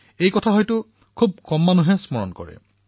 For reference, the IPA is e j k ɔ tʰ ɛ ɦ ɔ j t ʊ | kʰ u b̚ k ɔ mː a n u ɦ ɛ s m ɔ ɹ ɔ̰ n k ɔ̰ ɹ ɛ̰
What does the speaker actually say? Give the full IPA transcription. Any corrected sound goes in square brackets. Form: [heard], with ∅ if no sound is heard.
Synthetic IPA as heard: e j k ɔ tʰ [a] ɦ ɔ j t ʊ | kʰ u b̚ k ɔ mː a n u ɦ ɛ s m ɔ ɹ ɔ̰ n k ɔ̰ ɹ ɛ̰